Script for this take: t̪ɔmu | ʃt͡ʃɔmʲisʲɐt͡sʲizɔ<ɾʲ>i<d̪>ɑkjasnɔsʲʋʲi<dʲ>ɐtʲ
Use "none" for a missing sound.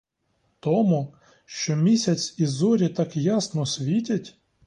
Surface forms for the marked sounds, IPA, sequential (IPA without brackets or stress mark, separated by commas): ɾʲ, t̪, tʲ